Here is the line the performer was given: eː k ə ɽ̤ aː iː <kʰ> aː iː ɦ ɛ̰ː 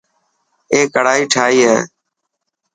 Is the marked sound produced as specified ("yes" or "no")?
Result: no